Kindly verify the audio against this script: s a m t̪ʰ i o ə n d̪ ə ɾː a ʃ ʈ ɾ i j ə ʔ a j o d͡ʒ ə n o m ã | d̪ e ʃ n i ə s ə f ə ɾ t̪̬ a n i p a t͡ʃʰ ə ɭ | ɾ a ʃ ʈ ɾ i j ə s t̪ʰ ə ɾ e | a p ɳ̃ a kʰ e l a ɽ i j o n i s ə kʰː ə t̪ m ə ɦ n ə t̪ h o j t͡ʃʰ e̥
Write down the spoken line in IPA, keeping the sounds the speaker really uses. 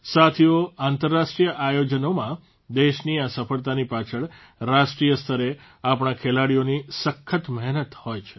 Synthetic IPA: s a t̪ʰ i o a n t̪ ə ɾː a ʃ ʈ ɾ i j ə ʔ a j o d͡ʒ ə n o m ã | d̪ e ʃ n i a s ə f ə ɭ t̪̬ a n i p a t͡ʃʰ ə ɭ | ɾ a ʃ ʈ ɾ i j ə s t̪ʰ ə ɾ e | a p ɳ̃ a kʰ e l a ɽ i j o n i s ə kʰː ə t̪ m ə ɦ n ə t̪ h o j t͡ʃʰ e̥